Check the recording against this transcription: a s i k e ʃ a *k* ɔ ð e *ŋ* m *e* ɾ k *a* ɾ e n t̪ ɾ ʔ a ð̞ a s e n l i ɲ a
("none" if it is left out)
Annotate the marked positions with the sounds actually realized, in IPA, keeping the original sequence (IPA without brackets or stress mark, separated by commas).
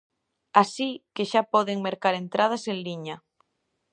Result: p, ŋ, e, a